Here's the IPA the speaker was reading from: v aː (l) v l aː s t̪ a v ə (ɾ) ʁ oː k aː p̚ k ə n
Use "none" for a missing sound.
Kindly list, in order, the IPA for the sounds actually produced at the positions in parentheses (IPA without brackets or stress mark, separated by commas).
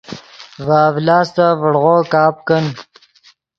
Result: none, ɽ